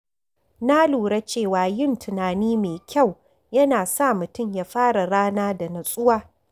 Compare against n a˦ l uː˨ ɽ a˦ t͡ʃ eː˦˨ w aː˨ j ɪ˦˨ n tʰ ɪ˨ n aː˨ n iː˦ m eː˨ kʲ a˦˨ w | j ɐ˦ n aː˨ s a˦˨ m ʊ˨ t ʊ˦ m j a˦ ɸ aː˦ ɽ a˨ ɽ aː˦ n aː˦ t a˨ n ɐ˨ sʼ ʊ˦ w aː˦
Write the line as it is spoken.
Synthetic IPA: n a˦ l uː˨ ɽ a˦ t͡ʃ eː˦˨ w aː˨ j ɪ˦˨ n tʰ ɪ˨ n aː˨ n iː˦ m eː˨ kʲ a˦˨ w | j ɐ˦ n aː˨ s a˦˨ m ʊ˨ t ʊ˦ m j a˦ ɸ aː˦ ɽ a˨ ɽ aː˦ n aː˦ d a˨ n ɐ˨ sʼ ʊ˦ w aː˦

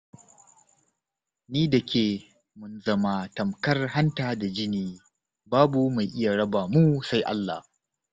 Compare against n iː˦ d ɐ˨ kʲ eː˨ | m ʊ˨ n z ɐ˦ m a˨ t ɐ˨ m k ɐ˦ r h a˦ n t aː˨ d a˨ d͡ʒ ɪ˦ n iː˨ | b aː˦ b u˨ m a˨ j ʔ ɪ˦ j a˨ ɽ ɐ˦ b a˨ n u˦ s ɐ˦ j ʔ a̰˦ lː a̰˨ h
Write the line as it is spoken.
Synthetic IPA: n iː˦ d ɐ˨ kʲ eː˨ | m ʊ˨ n z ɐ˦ m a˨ t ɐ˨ m k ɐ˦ r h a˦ n t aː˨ d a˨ d͡ʒ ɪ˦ n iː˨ | b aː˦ b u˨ m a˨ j ʔ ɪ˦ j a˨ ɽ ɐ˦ b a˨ m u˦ s a˦ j ʔ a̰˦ lː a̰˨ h

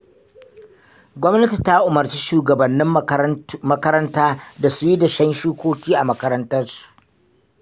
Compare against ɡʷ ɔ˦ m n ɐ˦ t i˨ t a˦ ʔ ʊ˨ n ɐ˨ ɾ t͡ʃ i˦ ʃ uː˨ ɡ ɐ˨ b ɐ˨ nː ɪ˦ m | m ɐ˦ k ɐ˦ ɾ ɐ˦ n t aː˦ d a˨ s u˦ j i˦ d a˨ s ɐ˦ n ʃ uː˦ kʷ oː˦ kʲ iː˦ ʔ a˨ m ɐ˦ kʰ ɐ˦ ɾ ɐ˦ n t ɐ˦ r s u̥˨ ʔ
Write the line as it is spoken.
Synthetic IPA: ɡʷ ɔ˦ m n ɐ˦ t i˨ t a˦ ʔ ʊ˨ m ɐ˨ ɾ t͡ʃ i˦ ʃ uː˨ ɡ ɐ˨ b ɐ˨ nː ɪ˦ m | m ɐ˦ k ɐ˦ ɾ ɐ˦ n t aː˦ d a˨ s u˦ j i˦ d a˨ ʃ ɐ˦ n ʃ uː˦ kʷ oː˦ kʲ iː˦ ʔ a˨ m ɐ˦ k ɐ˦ ɾ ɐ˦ n t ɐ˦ r s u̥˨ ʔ

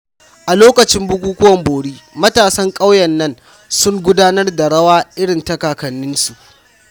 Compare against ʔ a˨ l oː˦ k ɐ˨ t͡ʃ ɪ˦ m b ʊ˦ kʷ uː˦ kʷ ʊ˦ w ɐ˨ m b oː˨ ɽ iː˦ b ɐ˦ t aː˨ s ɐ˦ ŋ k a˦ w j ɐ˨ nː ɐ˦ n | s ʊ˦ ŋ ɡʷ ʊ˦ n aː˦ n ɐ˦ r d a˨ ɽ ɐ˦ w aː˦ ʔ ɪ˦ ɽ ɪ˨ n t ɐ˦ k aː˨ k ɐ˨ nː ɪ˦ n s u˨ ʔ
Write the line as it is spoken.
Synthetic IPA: ʔ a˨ l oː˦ k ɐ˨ t͡ʃ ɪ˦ m b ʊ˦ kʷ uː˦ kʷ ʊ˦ w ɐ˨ m b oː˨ ɽ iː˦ m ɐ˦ t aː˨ s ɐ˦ ŋ kʼ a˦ w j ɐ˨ nː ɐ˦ n | s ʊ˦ ŋ ɡʷ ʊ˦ d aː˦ n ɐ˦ r d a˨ ɽ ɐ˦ w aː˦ ʔ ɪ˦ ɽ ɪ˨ n t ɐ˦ k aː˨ k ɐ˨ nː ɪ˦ n s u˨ ʔ

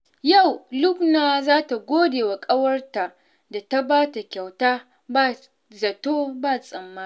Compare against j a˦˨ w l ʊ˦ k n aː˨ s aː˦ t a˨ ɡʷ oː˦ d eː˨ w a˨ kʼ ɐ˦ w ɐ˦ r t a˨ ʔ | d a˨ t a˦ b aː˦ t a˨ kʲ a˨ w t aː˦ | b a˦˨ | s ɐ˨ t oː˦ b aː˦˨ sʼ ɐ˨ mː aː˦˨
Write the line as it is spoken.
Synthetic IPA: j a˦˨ w l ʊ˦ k n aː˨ z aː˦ t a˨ ɡʷ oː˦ d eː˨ w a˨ kʼ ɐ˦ w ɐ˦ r t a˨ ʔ | d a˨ t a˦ b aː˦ t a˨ kʲ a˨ w t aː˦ | b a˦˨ | z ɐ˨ t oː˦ b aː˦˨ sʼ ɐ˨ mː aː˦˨

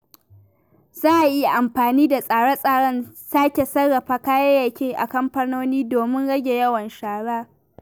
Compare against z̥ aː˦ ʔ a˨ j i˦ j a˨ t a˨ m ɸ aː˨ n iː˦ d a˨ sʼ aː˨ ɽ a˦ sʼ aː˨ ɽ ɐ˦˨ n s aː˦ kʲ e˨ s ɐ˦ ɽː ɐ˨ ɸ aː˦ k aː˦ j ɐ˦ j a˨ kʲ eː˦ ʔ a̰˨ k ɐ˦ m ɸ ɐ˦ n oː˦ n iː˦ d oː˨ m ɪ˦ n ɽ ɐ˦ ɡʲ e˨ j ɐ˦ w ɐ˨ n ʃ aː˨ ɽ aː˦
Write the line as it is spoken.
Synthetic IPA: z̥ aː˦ ʔ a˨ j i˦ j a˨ ʔ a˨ m ɸ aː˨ n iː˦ d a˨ sʼ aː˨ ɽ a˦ sʼ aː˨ ɽ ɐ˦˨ n s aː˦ kʲ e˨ s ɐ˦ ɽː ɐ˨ ɸ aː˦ k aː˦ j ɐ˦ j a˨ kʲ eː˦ ʔ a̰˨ k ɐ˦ m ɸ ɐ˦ n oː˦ n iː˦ d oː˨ m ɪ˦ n ɽ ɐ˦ ɡʲ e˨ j ɐ˦ w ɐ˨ n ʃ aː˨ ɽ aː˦

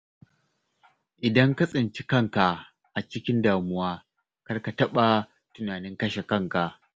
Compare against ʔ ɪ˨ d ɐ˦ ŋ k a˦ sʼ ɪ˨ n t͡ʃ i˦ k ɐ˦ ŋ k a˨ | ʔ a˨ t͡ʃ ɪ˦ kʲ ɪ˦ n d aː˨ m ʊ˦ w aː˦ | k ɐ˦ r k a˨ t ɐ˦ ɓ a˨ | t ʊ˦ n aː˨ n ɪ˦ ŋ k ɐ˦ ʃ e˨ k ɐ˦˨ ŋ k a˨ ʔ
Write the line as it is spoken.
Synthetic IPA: ʔ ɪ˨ d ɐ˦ ŋ k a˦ sʼ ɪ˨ n t͡ʃ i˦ k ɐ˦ ŋ k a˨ | ʔ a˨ t͡ʃ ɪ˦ kʲ ɪ˦ n d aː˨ m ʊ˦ w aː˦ | k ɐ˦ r k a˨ t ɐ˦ ɓ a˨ | t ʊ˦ n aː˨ n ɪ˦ ŋ k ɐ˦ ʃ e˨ k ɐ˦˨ ŋ k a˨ ʔ

